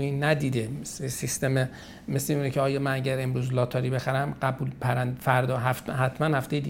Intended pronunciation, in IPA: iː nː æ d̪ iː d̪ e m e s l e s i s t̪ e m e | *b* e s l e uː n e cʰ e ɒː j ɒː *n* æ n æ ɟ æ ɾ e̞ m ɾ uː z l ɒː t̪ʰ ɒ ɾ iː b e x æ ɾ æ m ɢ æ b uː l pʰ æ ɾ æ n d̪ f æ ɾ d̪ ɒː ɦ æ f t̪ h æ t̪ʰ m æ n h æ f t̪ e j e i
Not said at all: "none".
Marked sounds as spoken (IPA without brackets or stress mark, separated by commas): m, m